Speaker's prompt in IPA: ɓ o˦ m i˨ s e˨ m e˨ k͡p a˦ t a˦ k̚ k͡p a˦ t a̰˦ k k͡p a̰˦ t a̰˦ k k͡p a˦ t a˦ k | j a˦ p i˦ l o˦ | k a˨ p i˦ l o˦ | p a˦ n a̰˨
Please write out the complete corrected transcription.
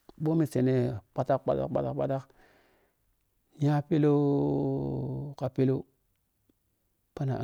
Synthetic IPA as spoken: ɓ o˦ m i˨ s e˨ n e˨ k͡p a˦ t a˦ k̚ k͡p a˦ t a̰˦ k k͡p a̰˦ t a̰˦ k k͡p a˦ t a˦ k | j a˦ p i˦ l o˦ | k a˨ p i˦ l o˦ | p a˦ n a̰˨